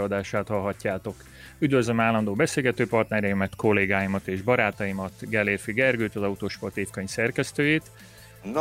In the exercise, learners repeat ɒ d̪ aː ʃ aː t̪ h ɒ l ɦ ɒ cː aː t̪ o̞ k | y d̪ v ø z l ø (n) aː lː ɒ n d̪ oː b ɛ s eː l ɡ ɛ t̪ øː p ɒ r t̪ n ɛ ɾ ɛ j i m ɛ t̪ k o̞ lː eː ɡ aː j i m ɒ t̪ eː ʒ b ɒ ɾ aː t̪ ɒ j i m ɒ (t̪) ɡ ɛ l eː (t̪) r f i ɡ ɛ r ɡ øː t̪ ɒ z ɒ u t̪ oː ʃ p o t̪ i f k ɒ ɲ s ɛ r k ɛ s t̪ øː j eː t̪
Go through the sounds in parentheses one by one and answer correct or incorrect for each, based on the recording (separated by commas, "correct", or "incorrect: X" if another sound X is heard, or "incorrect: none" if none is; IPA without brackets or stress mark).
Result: incorrect: m, correct, incorrect: none